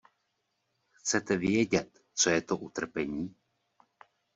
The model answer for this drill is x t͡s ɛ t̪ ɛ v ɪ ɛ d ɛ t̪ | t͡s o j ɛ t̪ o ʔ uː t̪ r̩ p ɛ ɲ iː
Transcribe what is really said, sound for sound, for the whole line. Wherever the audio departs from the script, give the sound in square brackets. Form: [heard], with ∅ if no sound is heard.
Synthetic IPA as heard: x t͡s ɛ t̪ ɛ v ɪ ɛ [ɟ] ɛ t̪ | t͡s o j ɛ t̪ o ʔ [u] t̪ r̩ p ɛ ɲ iː